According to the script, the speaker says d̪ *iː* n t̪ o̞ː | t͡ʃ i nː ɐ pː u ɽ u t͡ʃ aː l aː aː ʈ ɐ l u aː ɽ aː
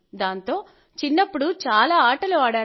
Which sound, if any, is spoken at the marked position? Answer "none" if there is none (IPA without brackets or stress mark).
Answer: aː